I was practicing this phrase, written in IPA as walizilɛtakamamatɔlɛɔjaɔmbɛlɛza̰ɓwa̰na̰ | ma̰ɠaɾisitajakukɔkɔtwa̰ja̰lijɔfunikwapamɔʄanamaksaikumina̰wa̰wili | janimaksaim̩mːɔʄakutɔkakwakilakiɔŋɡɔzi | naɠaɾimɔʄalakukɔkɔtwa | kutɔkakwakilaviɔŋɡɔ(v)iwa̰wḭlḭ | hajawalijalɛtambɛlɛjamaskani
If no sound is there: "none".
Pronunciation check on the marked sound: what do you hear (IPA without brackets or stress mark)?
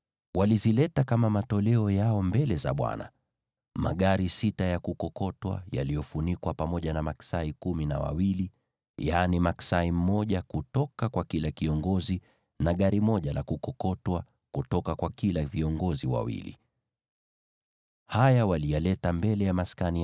z